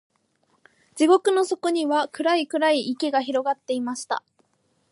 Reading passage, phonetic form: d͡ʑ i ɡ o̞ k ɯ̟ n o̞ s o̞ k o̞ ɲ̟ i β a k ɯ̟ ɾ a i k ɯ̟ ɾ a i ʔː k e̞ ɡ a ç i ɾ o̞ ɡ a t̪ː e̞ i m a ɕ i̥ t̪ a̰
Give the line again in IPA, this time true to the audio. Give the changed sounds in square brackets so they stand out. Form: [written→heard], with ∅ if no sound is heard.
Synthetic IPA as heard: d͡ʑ i ɡ o̞ k ɯ̟ n o̞ s o̞ k o̞ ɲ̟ i β a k ɯ̟ ɾ a i k ɯ̟ ɾ a i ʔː k e̞ ɡ a ç i ɾ o̞ ɡ a t̪ː e̞ i m a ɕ i̥ t̪ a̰